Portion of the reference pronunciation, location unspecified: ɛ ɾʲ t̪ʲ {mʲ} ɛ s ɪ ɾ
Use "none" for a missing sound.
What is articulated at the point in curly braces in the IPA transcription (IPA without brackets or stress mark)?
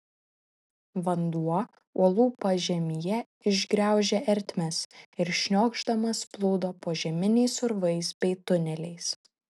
mʲ